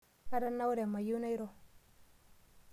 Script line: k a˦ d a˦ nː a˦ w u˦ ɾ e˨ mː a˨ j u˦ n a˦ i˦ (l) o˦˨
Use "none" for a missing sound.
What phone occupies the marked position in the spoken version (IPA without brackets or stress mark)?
ɾ